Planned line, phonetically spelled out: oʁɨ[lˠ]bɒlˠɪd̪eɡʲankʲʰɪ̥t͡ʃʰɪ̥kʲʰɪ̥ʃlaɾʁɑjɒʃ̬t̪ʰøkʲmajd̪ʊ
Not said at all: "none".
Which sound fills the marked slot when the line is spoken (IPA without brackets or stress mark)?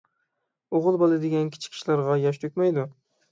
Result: lˠ